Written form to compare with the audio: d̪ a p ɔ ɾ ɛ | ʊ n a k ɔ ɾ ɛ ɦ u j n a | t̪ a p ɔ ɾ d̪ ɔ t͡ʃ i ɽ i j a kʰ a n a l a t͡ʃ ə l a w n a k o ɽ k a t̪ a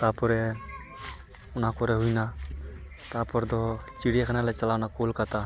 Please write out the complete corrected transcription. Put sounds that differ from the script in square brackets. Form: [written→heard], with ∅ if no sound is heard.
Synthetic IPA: [d̪→t̪] a p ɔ ɾ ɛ | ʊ n a k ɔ ɾ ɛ ɦ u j n a | t̪ a p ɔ ɾ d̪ ɔ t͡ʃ i ɽ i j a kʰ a n a l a t͡ʃ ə l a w n a k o [ɽ→l] k a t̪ a